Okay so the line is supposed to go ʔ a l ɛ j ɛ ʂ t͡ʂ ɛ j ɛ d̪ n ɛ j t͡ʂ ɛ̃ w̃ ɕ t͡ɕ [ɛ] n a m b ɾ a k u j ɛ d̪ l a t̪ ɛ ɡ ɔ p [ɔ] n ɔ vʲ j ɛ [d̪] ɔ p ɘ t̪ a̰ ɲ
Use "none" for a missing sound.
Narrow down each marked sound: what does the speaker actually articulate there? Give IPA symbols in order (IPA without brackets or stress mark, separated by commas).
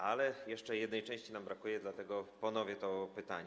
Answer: i, ɔ, t̪